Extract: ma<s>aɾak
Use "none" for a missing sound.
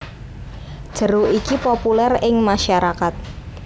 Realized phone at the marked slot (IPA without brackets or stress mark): ʃ